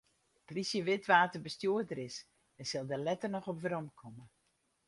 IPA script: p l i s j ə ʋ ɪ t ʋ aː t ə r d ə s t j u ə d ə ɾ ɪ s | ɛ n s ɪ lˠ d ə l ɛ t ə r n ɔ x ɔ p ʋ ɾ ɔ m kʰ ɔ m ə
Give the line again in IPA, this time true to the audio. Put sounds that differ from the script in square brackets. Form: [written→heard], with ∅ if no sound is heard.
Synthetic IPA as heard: p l i s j ə ʋ ɪ t ʋ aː t ə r [d→b] ə s t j u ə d ə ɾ ɪ s | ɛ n s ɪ lˠ d ə l ɛ t ə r n ɔ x ɔ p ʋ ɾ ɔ m kʰ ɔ m ə